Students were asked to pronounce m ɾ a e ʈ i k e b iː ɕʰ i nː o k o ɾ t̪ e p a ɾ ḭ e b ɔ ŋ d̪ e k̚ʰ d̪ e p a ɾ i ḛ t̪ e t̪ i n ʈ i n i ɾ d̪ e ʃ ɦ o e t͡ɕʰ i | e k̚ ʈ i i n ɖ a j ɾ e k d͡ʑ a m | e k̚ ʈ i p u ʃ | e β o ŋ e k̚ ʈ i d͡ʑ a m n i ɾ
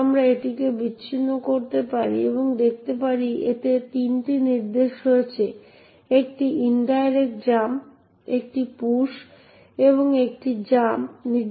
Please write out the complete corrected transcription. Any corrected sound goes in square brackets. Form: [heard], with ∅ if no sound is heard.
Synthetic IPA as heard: m ɾ a e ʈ i k e b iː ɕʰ i nː o k o ɾ t̪ e p a ɾ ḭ e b [o] ŋ d̪ e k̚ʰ [t̪] e p a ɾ i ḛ t̪ e t̪ i n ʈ i n i ɾ d̪ e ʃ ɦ o e t͡ɕʰ [e] | e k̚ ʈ i i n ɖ a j ɾ e k d͡ʑ a m | e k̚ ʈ i p u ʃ | e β o ŋ e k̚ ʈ i d͡ʑ a m n i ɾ